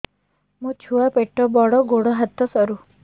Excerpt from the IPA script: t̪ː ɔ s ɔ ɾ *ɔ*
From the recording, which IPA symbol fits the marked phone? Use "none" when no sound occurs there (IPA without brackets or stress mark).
u